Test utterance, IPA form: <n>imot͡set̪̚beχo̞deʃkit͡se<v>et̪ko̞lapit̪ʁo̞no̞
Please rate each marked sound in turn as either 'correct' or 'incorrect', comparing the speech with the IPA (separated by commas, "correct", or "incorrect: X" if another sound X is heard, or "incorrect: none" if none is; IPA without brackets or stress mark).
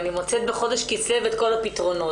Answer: correct, correct